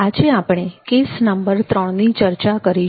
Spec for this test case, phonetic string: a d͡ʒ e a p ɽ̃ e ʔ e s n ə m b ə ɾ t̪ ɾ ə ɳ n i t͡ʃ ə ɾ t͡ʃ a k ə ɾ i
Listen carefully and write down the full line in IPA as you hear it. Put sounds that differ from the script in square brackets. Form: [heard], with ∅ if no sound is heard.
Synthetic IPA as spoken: a d͡ʒ e a p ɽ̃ e [k] e s n ə m b ə ɾ t̪ ɾ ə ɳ n i t͡ʃ ə ɾ t͡ʃ a k ə ɾ i